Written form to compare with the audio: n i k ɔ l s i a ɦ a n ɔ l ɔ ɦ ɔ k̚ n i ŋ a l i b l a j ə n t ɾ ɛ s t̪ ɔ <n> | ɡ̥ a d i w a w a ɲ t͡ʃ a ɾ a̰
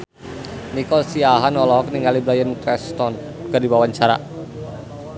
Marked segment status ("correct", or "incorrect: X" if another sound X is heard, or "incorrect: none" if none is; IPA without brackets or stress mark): correct